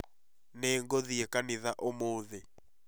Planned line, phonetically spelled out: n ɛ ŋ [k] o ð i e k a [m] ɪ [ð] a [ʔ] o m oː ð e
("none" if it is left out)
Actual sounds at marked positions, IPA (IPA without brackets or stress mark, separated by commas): ɡ, n, ð, ʔ